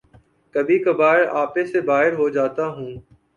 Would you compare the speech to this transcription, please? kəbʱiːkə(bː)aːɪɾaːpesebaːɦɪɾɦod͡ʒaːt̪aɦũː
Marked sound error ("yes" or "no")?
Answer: yes